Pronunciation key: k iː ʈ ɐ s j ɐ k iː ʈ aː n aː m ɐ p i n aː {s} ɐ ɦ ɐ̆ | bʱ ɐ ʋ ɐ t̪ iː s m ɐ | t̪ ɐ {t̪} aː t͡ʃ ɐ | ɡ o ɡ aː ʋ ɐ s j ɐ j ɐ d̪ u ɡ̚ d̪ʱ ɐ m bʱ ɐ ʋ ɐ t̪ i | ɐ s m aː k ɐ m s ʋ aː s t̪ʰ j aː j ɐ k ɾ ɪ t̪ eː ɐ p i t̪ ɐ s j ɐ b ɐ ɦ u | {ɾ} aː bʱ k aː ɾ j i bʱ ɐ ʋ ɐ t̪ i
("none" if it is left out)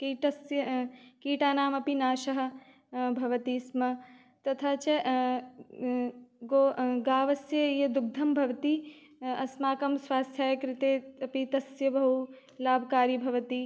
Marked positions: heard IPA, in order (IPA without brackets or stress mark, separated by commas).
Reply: ʃ, t̪ʰ, l